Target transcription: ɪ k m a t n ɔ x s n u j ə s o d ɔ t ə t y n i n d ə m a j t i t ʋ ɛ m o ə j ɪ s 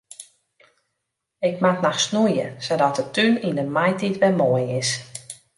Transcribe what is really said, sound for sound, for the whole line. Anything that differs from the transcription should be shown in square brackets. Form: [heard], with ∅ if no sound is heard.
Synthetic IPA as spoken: ɪ k m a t n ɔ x s n u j ə s o d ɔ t ə t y n i n d ə m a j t i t ʋ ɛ m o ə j ɪ s